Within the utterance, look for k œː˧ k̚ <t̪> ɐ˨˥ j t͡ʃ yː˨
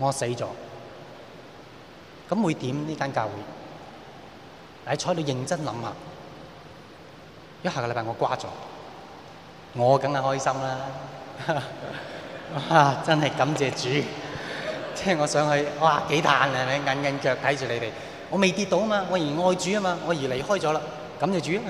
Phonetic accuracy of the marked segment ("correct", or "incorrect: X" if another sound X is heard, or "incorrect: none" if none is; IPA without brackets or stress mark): incorrect: t̪ʰ